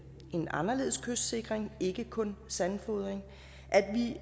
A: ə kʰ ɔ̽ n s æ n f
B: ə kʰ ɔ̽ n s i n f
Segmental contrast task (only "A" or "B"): A